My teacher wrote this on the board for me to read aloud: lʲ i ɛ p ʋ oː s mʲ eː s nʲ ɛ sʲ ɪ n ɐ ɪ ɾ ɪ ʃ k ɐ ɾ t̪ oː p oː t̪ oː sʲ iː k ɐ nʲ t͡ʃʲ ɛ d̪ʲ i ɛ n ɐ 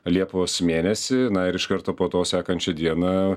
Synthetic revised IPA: lʲ i ɛ p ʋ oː s mʲ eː nʲ ɛ sʲ ɪ n ɐ ɪ ɾ ɪ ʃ k ɐ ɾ t̪ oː p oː t̪ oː sʲ æː k ɐ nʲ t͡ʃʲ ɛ d̪ʲ i ɛ n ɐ

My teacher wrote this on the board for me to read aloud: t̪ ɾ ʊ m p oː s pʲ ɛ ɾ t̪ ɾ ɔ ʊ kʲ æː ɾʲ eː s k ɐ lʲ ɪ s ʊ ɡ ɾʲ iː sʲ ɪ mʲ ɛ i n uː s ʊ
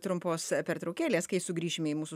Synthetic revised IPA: t̪ ɾ ʊ m p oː s pʲ ɛ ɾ t̪ ɾ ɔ ʊ kʲ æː lʲ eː s k ɐ ɪ s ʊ ɡ ɾʲ iː ʃʲ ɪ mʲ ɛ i m uː s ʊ

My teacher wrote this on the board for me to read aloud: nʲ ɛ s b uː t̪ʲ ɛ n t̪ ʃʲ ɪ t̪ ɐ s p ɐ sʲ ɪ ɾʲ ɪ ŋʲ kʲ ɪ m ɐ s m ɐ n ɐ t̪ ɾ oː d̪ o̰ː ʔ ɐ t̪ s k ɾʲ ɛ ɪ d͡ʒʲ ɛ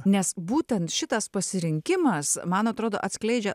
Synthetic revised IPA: nʲ ɛ s b uː t̪ʲ ɛ n t̪ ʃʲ ɪ t̪ ɐ s p ɐ sʲ ɪ ɾʲ ɪ ŋʲ kʲ ɪ m ɐ s m ɐ n ɐ t̪ ɾ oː d̪ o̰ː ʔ ɐ t̪ s k lʲ ɛ ɪ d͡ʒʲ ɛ

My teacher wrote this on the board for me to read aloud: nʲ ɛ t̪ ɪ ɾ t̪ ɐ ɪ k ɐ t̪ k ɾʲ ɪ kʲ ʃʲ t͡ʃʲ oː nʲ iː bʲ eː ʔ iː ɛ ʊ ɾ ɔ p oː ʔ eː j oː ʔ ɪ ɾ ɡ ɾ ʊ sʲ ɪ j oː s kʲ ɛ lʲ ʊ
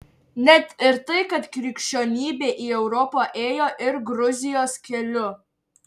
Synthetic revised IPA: nʲ ɛ t̪ ɪ ɾ t̪ ɐ ɪ k ɐ t̪ k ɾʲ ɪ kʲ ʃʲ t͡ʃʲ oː nʲ iː bʲ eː ʔ iː ɛ ʊ ɾ ɔ p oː ʔ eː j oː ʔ ɪ ɾ ɡ ɾ ʊ zʲ ɪ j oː s kʲ ɛ lʲ ʊ

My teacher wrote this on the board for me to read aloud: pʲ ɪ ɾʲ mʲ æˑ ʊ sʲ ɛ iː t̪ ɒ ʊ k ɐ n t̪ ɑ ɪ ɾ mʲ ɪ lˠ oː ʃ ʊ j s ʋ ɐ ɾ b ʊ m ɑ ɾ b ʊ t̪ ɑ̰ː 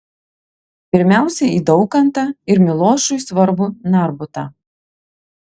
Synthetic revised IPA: pʲ ɪ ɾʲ mʲ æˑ ʊ sʲ ɛ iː d̪ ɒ ʊ k ɐ n t̪ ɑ ɪ ɾ mʲ ɪ lˠ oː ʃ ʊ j s ʋ ɐ ɾ b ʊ n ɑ ɾ b ʊ t̪ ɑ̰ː

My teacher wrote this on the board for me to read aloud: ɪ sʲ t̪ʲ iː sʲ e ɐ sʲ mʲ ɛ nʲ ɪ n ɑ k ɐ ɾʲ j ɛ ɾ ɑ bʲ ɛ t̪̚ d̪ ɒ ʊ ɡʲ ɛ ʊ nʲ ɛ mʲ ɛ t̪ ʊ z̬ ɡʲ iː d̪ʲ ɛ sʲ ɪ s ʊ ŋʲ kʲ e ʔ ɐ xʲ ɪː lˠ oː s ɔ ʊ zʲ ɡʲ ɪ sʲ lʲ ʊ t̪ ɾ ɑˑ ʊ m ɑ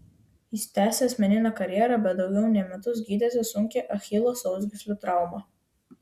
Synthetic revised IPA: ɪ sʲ t̪ʲ æː sʲ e ɐ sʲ mʲ ɛ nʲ ɪ n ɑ k ɐ ɾʲ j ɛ ɾ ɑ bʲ ɛ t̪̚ d̪ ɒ ʊ ɡʲ ɛ ʊ nʲ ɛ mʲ ɛ t̪ ʊ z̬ ɡʲ iː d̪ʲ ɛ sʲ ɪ s ʊ ŋʲ kʲ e ʔ ɐ xʲ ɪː lˠ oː s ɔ ʊ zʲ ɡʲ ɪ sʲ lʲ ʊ t̪ ɾ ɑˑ ʊ m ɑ

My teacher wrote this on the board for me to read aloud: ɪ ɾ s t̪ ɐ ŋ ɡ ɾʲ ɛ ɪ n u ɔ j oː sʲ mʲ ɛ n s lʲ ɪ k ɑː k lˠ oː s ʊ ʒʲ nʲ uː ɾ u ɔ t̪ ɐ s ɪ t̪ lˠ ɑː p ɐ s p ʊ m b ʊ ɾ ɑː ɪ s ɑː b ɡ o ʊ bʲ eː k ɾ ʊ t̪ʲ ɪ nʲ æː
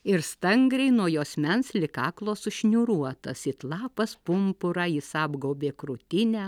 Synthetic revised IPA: ɪ ɾ s t̪ ɐ ŋ ɡ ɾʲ ɛ ɪ n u ɔ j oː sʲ mʲ ɛ n s lʲ ɪ k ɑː k lˠ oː s ʊ ʃʲ nʲ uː ɾ u ɔ t̪ ɐ s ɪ t̪ lˠ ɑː p ɐ s p ʊ m p ʊ ɾ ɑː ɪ s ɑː b ɡ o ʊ bʲ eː k ɾ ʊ t̪ʲ ɪ nʲ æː

